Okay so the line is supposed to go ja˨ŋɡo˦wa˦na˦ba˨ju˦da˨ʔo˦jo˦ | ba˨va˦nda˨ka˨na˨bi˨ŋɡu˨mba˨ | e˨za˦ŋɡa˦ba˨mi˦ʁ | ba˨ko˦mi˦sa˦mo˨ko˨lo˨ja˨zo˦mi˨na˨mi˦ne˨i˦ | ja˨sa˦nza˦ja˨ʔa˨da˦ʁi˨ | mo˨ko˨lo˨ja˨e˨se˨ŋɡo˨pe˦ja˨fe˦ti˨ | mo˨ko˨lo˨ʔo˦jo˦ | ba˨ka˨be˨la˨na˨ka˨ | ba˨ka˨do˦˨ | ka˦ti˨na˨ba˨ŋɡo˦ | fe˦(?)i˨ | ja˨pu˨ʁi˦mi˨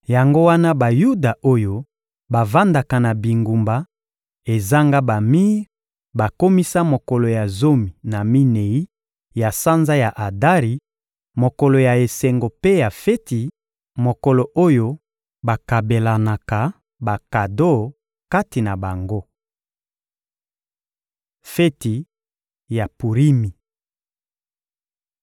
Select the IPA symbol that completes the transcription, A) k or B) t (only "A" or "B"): B